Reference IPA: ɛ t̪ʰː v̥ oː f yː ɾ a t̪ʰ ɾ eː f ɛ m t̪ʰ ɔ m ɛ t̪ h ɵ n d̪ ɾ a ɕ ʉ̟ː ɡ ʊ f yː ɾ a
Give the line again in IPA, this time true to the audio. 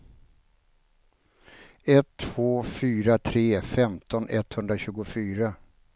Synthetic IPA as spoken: ɛ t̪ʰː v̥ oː f yː ɾ a t̪ʰ ɾ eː f ɛ m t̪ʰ ɔ n ɛ t̪ h ɵ n d̪ ɾ a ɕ ʉ̟ː ɡ ʊ f yː ɾ a